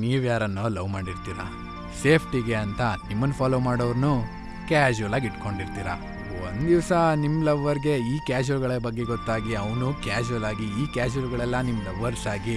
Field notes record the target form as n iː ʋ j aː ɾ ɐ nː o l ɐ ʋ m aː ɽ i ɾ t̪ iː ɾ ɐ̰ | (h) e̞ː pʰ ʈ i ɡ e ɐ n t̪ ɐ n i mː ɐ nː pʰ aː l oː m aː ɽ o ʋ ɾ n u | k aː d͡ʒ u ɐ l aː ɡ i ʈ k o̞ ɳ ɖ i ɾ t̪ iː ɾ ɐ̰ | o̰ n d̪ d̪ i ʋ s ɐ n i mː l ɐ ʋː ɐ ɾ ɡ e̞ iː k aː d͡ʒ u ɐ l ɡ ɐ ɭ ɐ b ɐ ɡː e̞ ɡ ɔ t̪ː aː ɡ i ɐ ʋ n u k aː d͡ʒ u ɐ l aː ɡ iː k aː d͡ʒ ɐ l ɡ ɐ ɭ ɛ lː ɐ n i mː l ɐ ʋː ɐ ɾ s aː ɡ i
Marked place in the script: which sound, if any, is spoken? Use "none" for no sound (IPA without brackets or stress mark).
s